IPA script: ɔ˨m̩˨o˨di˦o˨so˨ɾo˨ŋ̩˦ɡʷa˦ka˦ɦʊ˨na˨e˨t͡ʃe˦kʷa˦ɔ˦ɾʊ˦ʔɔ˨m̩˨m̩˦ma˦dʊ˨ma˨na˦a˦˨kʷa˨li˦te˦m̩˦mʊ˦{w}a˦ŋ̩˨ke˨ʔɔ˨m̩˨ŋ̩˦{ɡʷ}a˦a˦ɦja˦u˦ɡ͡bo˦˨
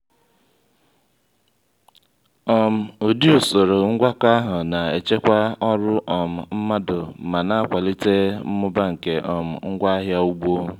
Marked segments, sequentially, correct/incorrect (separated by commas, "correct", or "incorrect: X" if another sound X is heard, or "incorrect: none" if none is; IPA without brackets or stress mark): incorrect: b, correct